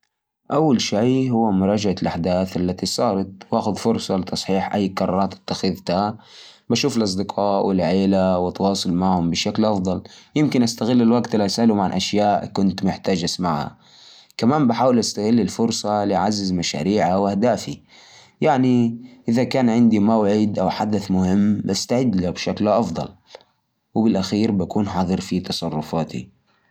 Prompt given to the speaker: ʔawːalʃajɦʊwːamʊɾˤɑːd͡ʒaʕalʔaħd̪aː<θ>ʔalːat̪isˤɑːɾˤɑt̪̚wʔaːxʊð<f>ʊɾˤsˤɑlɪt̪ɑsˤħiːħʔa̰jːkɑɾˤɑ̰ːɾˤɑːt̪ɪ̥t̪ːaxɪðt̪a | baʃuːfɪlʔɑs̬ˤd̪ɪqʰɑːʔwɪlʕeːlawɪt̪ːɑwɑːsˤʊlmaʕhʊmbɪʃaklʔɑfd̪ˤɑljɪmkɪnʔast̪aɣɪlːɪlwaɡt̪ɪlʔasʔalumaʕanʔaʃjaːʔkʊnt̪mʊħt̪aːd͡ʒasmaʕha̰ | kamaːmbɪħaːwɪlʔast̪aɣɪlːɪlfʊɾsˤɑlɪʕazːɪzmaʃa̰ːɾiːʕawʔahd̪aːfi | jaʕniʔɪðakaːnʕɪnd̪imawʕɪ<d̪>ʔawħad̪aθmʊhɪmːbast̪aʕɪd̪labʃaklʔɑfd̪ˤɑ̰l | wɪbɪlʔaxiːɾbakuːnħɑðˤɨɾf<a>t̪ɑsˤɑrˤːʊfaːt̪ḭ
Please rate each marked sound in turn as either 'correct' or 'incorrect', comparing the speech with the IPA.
correct, correct, correct, incorrect: i

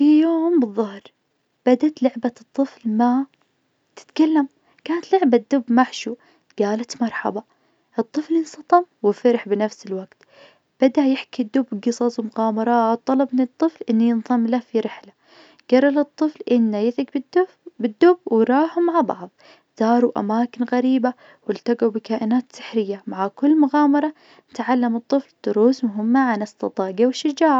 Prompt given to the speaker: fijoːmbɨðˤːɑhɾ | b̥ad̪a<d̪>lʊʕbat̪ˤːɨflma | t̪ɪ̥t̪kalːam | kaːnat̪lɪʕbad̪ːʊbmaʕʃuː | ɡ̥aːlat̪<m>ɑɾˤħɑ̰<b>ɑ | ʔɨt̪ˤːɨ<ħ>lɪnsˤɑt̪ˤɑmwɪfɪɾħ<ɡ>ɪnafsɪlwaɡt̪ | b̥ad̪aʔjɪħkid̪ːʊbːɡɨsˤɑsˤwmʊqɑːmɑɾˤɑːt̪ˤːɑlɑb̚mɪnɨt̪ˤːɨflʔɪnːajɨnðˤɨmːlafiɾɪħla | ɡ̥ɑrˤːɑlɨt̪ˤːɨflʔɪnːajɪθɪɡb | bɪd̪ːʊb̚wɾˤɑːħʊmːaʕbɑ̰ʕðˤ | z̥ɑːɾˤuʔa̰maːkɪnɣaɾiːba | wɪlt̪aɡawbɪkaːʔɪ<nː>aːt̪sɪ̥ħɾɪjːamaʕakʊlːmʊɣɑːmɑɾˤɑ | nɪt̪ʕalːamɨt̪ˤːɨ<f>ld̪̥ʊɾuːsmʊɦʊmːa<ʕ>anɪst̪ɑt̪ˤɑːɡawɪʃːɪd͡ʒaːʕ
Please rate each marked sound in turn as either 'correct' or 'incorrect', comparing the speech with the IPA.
incorrect: t̪, correct, correct, incorrect: f, incorrect: b, incorrect: n, correct, correct

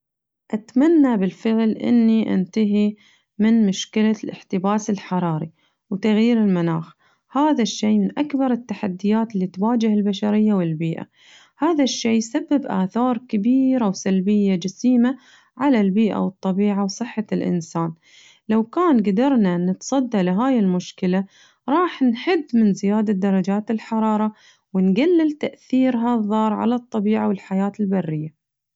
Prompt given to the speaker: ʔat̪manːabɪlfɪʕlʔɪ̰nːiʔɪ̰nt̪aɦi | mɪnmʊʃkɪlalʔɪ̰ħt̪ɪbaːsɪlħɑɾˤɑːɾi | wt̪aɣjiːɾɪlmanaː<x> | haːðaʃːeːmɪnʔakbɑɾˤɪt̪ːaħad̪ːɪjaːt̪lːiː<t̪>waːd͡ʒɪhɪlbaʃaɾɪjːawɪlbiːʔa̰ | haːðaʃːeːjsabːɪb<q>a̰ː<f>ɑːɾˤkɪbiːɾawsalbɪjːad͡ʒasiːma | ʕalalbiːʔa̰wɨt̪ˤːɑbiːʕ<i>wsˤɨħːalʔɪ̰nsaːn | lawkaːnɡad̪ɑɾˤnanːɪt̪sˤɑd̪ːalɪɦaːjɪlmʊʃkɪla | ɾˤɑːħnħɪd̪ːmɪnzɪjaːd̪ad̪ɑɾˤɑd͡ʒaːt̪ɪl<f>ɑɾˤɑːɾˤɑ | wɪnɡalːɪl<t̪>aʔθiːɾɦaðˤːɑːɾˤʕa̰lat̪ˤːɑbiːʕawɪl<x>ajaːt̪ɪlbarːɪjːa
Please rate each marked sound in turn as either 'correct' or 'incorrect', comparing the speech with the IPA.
correct, correct, incorrect: ʔ, incorrect: θ, incorrect: a, incorrect: ħ, correct, incorrect: ħ

